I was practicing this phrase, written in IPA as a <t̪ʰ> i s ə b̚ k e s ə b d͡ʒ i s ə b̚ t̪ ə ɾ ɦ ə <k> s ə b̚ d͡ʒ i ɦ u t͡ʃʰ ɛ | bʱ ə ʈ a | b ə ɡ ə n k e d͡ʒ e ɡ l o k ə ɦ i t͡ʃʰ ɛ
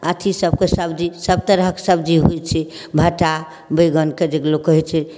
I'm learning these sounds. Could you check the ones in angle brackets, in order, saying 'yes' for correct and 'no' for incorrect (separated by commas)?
yes, yes